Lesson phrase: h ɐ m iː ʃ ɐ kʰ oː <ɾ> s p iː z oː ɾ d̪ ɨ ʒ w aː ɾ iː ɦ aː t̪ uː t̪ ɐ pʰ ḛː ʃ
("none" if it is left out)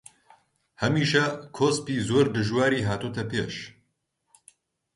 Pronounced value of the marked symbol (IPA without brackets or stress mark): none